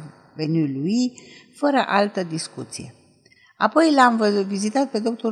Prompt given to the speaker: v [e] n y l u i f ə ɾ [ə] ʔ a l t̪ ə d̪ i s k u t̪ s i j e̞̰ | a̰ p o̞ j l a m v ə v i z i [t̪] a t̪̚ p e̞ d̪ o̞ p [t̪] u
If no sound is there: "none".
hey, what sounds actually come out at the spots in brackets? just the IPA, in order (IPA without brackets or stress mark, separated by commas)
e, ə, t̪, t̪